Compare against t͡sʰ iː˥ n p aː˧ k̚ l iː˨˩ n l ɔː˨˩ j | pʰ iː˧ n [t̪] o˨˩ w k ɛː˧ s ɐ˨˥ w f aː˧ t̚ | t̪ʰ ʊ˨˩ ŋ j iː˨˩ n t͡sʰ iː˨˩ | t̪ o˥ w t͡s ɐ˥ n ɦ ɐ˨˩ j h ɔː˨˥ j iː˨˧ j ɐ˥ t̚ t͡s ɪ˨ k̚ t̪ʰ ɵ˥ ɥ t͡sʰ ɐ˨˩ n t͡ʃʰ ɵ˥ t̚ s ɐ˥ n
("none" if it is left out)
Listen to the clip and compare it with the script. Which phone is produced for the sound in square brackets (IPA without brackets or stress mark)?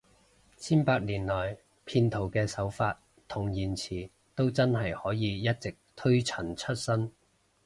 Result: t̪ʰ